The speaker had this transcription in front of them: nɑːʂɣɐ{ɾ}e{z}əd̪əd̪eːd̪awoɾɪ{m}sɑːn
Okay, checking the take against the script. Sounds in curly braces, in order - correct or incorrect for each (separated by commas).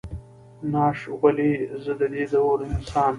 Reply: incorrect, correct, incorrect